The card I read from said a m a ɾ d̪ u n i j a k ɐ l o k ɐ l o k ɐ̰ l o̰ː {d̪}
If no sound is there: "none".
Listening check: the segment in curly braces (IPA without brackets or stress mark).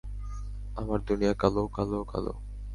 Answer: none